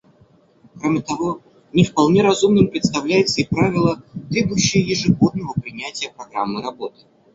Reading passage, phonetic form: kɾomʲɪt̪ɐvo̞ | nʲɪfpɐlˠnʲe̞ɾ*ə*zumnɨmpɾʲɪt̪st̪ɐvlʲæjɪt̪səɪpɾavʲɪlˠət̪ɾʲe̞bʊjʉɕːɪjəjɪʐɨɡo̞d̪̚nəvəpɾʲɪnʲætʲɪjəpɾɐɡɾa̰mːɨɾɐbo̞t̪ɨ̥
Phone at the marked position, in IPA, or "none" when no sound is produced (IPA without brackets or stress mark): ɐ